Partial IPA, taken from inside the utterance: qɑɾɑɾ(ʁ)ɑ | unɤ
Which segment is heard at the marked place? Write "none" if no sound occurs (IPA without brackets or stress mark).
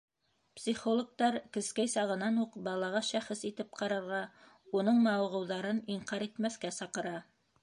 ʁ